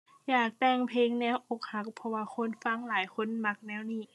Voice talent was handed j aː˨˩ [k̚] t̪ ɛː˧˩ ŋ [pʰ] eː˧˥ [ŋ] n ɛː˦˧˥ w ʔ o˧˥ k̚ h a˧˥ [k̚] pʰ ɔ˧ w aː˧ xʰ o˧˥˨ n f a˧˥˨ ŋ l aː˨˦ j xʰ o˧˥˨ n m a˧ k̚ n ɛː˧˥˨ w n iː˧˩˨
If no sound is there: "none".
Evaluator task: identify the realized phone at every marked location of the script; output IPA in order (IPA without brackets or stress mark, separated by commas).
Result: k̚, pʰ, ŋ, k̚